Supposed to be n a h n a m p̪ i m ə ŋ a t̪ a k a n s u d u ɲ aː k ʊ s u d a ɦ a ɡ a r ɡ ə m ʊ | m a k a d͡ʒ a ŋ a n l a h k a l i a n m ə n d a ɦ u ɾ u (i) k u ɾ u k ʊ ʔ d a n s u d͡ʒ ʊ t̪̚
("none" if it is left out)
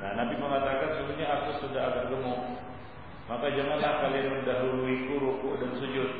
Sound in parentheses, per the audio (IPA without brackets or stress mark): i